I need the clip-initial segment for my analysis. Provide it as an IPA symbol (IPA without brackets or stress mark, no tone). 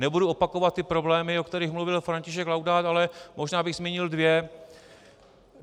n